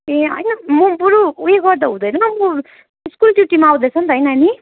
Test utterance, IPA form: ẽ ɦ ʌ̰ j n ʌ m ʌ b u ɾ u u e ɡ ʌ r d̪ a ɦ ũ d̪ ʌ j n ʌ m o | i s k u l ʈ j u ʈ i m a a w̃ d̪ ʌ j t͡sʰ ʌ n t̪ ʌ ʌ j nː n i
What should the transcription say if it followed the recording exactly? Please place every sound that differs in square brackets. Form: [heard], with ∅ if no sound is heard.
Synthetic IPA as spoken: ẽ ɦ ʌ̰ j n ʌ m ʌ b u ɾ u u e ɡ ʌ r d̪ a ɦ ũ d̪ ʌ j n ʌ m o | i s k u l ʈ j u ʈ i m a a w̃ d̪ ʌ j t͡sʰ ʌ n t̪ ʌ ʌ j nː n i

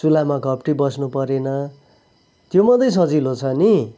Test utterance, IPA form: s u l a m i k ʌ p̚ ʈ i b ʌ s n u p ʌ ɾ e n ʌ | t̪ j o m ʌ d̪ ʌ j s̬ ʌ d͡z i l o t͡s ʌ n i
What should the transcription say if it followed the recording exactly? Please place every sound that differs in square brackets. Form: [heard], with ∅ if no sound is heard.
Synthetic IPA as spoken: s u l a m [a] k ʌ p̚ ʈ i b ʌ s n u p ʌ ɾ e n ʌ | t̪ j o m ʌ d̪ ʌ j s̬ ʌ d͡z i l o [t͡sʰ] ʌ n i

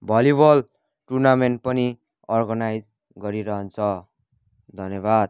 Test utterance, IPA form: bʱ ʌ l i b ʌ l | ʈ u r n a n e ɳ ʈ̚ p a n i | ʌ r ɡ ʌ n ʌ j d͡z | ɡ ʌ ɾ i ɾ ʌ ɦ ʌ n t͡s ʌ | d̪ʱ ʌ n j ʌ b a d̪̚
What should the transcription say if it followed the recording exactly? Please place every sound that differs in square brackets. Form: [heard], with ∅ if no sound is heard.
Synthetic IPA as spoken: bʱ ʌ l i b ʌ l | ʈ u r n a [m] e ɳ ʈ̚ p [ʌ] n i | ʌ r ɡ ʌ n [a] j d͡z | ɡ ʌ ɾ i ɾ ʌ ɦ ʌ n [t͡sʰ] ʌ | d̪ʱ ʌ n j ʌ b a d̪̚

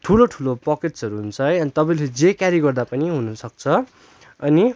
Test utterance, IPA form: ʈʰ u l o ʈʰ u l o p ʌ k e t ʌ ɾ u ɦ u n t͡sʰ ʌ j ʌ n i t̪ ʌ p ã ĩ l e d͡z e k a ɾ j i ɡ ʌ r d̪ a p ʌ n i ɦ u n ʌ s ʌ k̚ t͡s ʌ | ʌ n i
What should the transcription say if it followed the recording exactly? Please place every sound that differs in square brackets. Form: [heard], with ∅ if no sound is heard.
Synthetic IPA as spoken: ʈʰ u l o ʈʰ u l o p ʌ k e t ʌ ɾ u ɦ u n t͡sʰ ʌ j ʌ n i t̪ ʌ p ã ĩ l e d͡z e k a ɾ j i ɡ ʌ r d̪ a p ʌ n i ɦ u n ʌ s ʌ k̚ [t͡sʰ] ʌ | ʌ n i

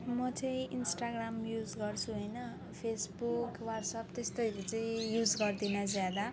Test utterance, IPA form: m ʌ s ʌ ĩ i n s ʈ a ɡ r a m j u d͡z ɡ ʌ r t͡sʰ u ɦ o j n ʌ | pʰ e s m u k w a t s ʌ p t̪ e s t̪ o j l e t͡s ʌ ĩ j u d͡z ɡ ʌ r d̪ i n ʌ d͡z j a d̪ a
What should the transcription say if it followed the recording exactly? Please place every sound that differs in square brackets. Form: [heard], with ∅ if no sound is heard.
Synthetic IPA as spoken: m ʌ [t͡s] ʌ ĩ i n s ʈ a ɡ r a m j u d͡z ɡ ʌ r t͡sʰ u ɦ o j n ʌ | pʰ e s [b] u k w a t s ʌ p t̪ e s t̪ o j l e t͡s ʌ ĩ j u d͡z ɡ ʌ r d̪ i n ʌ d͡z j a d̪ a

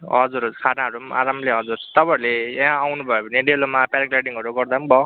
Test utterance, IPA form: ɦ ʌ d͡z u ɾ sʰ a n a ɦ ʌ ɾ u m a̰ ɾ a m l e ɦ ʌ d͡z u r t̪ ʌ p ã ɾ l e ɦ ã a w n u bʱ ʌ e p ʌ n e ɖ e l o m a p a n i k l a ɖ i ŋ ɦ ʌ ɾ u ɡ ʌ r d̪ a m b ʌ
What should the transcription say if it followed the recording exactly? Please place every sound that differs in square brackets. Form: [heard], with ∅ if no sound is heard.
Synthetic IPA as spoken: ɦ ʌ d͡z u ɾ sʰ a n a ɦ ʌ ɾ u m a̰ ɾ a m l e ɦ ʌ d͡z u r t̪ ʌ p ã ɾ l e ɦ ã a w n u bʱ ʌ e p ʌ n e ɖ e l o m a p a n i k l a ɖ i ŋ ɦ ʌ ɾ u ɡ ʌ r d̪ a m b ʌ

